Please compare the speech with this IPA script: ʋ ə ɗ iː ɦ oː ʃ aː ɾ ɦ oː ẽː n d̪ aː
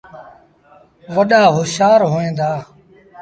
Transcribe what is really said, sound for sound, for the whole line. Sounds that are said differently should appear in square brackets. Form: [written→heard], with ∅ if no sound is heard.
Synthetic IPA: ʋ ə ɗ [iː→aː] ɦ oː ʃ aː ɾ ɦ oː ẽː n d̪ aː